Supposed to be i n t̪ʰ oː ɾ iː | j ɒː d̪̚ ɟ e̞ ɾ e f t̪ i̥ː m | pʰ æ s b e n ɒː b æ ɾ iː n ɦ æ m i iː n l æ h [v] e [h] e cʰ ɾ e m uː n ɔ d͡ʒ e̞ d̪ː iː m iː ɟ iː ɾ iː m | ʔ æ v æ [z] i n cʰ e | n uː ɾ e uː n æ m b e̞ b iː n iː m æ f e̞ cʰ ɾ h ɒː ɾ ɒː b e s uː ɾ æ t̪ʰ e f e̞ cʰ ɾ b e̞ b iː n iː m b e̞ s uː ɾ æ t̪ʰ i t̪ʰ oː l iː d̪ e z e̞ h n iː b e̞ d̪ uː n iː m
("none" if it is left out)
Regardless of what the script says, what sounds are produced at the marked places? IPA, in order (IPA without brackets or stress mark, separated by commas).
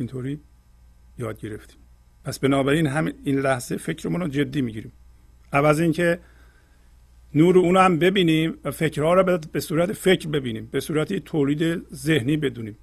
z, f, z